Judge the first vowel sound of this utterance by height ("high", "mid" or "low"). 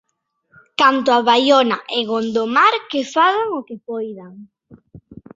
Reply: low